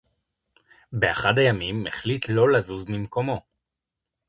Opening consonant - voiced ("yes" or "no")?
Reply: yes